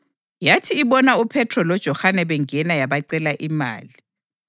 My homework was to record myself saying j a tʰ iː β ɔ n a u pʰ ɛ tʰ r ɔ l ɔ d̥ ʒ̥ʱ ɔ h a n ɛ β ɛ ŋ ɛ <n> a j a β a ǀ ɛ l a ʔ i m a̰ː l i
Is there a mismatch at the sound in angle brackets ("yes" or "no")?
no